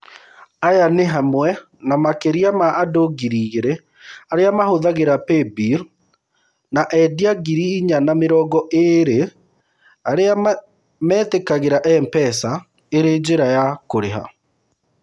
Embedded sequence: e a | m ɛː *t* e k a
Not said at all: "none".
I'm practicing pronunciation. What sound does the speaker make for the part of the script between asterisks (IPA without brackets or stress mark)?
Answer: t